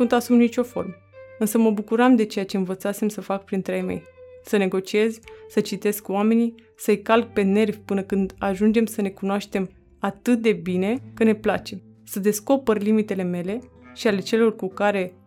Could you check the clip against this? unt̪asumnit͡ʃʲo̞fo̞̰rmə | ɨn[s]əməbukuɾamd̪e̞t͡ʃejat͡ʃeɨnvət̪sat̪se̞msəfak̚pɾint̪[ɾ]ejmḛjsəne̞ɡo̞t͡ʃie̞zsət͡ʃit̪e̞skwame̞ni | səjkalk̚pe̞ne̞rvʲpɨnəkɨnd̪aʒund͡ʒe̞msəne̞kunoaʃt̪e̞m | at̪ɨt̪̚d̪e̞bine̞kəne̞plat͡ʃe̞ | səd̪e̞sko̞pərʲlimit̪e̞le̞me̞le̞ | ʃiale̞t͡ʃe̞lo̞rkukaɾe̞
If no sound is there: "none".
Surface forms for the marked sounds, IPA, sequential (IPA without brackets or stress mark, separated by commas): s, ɾ